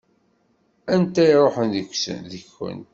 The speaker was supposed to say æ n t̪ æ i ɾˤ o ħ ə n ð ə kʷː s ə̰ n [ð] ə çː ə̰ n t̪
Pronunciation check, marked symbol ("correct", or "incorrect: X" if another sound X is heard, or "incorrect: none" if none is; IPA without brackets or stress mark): correct